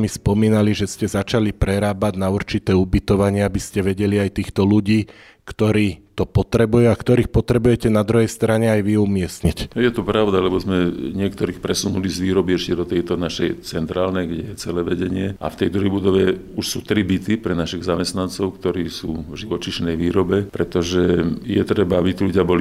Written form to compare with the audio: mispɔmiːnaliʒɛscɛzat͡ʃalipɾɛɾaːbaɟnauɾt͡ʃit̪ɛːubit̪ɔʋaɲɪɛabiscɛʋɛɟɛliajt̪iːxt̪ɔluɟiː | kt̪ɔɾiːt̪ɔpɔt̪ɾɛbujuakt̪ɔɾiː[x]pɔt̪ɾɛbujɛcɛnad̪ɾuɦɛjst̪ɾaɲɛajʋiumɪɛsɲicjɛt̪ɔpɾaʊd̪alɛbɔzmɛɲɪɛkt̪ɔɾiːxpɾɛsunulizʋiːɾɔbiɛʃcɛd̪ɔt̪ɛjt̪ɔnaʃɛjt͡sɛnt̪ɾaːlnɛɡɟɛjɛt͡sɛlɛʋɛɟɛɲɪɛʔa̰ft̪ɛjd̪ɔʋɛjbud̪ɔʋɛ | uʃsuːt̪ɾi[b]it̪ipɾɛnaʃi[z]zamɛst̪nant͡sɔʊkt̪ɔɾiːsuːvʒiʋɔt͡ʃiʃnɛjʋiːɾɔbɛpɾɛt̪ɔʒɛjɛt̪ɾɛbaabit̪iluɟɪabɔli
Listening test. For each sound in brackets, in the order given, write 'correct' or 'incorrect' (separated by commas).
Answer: correct, correct, incorrect